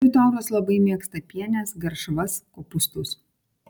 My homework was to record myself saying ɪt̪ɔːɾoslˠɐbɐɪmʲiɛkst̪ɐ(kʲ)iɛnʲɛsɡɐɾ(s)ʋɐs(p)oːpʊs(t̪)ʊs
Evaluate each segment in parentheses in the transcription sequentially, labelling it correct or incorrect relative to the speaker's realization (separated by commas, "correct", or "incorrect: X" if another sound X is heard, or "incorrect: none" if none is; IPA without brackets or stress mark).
incorrect: pʲ, incorrect: ʃ, incorrect: k, correct